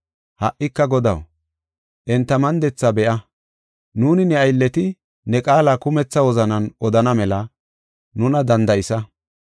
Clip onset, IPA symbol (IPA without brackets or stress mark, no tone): h